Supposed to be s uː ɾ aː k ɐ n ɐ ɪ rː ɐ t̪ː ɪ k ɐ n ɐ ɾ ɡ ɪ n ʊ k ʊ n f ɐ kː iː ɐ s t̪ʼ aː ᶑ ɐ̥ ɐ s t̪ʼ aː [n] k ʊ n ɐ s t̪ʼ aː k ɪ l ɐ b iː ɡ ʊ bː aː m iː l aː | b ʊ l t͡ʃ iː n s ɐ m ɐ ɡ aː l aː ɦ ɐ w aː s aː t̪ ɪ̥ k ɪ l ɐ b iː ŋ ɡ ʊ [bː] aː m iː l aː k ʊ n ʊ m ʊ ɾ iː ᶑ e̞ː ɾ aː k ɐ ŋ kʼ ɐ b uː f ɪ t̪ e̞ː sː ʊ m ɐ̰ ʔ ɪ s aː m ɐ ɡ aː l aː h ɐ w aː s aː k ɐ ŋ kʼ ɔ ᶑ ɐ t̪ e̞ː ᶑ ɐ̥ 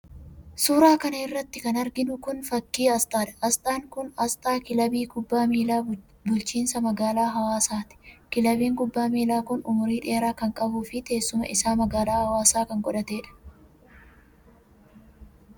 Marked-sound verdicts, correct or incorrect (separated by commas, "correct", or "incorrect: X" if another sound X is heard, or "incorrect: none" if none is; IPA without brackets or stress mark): incorrect: ŋ, correct